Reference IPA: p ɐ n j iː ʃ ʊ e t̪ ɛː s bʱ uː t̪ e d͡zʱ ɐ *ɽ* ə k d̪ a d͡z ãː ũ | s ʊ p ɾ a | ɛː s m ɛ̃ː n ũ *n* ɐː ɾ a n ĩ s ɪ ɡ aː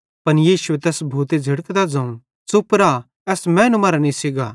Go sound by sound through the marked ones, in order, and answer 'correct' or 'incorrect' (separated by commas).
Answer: correct, incorrect